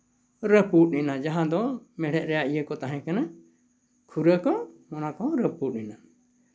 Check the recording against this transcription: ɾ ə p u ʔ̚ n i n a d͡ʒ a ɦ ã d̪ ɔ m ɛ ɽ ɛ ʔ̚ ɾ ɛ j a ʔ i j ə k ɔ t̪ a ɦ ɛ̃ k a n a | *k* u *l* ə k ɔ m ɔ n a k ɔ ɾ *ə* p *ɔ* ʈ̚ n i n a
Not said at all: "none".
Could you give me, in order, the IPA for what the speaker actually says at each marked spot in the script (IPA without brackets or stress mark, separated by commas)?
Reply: kʰ, ɾ, ə, u